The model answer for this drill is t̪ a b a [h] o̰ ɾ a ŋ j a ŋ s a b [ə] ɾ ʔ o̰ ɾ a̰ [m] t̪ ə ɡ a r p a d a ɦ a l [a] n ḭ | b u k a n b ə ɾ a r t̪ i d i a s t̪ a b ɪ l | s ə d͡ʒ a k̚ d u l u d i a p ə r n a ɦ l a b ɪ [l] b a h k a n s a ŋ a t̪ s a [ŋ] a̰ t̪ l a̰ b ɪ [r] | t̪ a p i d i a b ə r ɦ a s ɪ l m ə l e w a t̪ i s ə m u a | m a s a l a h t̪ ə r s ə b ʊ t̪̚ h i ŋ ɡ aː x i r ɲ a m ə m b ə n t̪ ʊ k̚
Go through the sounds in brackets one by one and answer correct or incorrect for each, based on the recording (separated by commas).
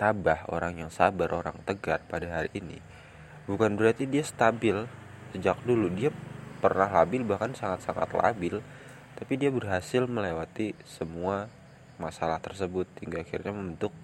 correct, incorrect, incorrect, incorrect, correct, correct, incorrect